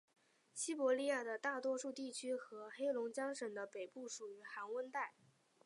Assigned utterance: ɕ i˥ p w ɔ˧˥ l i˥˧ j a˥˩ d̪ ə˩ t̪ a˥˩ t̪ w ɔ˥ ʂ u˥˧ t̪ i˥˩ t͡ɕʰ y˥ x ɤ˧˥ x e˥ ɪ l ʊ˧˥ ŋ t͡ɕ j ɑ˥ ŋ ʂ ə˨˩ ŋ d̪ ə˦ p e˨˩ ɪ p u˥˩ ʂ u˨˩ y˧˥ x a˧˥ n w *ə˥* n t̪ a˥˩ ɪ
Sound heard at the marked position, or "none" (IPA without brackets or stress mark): ə˥